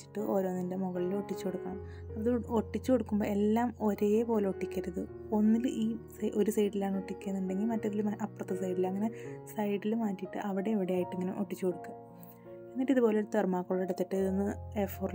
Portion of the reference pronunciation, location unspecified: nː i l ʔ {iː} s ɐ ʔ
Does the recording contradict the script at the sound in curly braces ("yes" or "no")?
no